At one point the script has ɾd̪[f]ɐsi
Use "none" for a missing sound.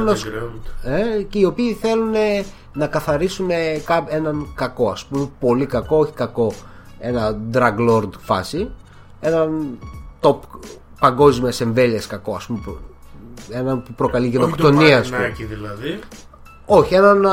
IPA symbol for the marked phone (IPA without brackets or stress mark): f